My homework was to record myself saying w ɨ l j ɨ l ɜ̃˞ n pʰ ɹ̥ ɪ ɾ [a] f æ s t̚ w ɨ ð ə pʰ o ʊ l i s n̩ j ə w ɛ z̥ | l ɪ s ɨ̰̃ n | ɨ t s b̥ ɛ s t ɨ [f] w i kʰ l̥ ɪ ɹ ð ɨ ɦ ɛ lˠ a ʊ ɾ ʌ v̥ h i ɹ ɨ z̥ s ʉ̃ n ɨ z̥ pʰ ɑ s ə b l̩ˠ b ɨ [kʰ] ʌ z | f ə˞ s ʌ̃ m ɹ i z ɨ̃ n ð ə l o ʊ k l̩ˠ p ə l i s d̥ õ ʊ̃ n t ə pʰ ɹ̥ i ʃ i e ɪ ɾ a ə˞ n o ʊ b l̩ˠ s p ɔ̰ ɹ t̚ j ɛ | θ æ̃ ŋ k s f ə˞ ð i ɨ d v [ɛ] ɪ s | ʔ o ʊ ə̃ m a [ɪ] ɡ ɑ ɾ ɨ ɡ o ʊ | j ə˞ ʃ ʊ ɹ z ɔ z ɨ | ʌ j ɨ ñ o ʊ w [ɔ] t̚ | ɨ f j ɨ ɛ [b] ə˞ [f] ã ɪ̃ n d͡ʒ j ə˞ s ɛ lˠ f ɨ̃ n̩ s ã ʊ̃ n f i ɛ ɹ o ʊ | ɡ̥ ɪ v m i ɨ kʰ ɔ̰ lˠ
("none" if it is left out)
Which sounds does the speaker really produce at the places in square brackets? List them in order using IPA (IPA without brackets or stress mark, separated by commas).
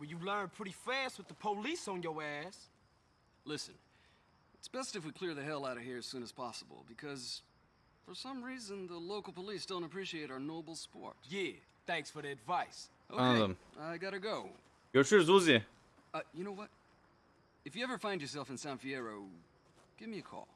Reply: i, f, kʰ, a, ɪ, ʌ, v, f